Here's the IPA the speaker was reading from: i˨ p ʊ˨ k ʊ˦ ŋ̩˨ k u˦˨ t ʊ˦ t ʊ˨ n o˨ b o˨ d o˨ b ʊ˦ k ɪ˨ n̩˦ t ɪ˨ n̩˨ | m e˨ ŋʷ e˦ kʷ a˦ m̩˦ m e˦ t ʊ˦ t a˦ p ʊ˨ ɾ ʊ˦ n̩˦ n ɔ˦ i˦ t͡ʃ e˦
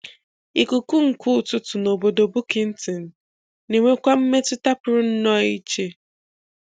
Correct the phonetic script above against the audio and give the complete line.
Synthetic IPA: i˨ k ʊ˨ k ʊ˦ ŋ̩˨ k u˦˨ t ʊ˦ t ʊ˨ n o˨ b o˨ d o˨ b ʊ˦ k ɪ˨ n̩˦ t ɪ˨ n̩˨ | n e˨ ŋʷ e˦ kʷ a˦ m̩˦ m e˦ t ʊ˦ t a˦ p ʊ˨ ɾ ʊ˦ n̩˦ n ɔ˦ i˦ t͡ʃ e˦

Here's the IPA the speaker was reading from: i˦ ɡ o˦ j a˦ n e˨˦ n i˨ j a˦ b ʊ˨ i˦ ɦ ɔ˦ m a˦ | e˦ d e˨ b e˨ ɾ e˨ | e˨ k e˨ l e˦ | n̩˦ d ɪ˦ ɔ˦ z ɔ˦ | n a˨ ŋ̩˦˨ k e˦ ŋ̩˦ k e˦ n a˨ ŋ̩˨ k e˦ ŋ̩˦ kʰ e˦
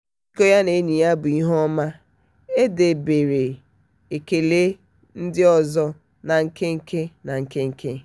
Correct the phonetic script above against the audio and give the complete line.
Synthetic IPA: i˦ k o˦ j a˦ n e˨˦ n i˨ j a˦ b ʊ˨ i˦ ɦ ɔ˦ m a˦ | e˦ d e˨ b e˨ ɾ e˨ | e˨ k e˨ l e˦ | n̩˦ d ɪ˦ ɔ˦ z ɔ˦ | n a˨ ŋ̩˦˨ k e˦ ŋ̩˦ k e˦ n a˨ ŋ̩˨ k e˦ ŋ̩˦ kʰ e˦

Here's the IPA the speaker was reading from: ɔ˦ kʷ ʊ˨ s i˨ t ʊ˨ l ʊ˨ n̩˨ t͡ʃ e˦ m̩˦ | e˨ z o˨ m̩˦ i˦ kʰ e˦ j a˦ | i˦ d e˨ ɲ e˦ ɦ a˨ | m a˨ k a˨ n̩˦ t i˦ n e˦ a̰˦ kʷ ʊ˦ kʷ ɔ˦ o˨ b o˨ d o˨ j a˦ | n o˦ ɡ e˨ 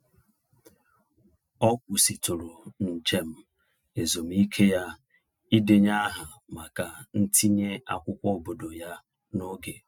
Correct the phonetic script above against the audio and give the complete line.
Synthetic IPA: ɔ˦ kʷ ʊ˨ s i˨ t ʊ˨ ɾ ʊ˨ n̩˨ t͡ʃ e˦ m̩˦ | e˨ z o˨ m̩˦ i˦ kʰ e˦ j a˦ | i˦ d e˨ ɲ a˦ ɦ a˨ | m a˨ k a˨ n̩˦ t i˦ ɲ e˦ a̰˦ kʷ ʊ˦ kʷ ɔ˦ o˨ b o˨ d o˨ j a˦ | n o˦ ɡ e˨

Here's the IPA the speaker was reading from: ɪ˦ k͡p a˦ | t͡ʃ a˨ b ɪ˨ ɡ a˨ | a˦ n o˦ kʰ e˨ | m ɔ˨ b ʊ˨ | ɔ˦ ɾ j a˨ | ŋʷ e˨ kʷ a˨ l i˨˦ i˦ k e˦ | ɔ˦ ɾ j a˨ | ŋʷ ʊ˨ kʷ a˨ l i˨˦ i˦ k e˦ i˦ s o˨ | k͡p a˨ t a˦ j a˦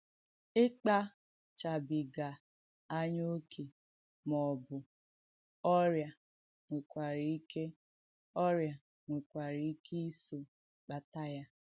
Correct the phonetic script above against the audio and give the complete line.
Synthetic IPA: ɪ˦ k͡p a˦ | t͡ʃ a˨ b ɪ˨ ɡ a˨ | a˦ ɲ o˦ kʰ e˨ | m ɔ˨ b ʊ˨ | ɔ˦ ɾ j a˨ | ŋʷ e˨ kʷ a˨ ɾ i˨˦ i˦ k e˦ | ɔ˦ ɾ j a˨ | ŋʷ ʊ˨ kʷ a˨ ɾ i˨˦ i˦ k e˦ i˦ s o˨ | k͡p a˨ t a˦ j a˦

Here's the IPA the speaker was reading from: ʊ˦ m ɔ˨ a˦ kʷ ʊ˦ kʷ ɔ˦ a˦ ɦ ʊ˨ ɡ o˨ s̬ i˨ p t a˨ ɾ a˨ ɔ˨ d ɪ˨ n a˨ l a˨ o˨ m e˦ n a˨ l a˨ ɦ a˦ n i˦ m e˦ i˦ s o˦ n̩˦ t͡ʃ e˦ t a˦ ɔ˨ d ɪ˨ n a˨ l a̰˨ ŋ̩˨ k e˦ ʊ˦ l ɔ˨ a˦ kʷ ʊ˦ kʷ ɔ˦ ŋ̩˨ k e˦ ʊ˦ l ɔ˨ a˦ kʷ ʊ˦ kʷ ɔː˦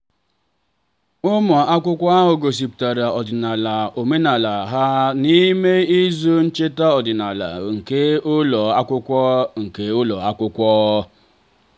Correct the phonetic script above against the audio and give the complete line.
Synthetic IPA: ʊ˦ m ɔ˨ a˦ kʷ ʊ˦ kʷ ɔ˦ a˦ ɦ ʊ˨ ɡ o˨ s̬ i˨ p t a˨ ɾ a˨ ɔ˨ d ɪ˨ n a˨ l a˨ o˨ m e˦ n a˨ l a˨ ɦ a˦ n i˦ m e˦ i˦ z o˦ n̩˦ t͡ʃ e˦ t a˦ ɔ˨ d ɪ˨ n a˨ l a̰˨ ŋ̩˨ k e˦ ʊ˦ l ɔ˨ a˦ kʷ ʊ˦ kʷ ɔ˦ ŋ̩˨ k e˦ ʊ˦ l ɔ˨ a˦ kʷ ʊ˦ kʷ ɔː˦

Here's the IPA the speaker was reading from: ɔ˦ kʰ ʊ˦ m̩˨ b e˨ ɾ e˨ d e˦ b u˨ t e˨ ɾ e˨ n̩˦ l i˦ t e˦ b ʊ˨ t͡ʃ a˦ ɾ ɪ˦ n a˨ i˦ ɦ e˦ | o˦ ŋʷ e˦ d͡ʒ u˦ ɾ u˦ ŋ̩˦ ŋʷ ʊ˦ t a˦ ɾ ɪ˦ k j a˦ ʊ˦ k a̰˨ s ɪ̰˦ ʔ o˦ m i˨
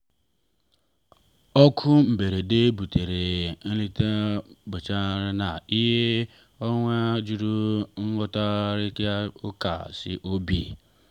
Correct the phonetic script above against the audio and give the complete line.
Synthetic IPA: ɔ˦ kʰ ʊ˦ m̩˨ b e˨ ɾ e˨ d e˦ b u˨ t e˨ ɾ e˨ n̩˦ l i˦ t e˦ b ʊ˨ t͡ʃ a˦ ɾ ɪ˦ n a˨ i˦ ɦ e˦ | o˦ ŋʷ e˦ d͡ʒ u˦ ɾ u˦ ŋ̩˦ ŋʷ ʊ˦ t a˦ ɾ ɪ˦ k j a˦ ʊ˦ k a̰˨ s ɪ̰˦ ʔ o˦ b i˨

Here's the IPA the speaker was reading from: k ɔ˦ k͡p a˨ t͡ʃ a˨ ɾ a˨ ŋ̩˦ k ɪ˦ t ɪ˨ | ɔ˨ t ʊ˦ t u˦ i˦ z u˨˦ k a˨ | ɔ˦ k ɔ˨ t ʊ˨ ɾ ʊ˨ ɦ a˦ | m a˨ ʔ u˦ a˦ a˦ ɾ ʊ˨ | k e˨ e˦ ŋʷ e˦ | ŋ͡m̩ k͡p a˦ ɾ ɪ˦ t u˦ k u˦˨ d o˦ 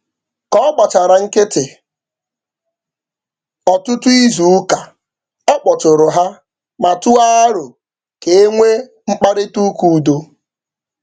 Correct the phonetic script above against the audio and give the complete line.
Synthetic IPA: k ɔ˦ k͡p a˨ t͡ʃ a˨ ɾ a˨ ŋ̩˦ k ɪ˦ t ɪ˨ | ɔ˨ t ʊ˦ t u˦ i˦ z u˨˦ k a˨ | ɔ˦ k͡p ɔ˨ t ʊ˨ ɾ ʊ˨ ɦ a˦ | m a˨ t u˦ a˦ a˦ ɾ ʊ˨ | k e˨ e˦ ŋʷ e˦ | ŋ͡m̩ k͡p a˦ ɾ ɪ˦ t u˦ k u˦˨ d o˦

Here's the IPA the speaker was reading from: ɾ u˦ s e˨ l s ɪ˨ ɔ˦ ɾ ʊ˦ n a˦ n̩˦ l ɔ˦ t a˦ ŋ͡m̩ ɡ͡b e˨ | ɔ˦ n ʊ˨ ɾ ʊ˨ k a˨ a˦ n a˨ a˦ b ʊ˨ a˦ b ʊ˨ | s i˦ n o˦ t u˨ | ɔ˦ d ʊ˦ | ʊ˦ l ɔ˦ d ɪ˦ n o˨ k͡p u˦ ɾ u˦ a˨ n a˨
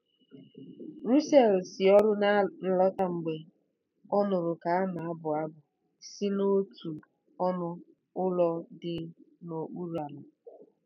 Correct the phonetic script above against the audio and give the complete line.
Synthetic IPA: ɾ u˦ s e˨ l s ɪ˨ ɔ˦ ɾ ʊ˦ n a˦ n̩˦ l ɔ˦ t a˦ ŋ͡m̩ ɡ͡b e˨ | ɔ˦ n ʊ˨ ɾ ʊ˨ k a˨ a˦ n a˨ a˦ b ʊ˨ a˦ b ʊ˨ | s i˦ n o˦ t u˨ | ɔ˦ n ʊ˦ | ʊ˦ l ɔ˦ d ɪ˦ n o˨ k͡p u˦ ɾ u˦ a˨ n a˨

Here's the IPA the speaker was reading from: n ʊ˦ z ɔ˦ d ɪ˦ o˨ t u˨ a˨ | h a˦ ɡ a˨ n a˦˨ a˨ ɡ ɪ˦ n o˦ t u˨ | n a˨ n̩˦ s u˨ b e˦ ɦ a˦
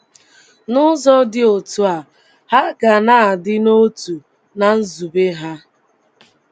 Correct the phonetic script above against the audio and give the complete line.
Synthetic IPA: n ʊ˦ z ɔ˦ d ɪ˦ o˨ t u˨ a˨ | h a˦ ɡ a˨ n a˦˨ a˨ d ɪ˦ n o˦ t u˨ | n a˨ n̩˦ z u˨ b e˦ ɦ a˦

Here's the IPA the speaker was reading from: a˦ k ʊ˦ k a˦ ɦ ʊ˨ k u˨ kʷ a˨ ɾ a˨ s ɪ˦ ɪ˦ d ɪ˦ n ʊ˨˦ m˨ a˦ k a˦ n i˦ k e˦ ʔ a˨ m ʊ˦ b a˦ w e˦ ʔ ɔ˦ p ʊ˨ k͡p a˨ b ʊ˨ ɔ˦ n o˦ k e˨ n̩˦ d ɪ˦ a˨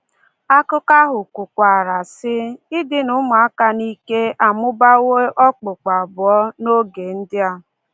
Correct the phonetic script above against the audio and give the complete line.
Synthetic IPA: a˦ k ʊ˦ k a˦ ɦ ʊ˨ k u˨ kʷ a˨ ɾ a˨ s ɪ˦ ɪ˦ d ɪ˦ n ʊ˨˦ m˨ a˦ k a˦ n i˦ k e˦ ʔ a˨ m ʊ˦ b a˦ w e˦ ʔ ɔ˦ k͡p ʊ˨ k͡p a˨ b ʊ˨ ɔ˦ n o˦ ɡ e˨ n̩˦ d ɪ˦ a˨

